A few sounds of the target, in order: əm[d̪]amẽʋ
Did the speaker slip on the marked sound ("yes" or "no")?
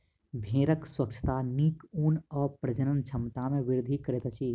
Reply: yes